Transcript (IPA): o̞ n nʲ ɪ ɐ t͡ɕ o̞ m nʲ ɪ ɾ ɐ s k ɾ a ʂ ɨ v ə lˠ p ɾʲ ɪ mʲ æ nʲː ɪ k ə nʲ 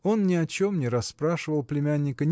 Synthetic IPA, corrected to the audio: o̞ n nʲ ɪ ɐ t͡ɕ o̞ m nʲ ɪ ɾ ɐ s p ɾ a ʂ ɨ v ə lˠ p lʲ ɪ mʲ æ nʲː ɪ k ə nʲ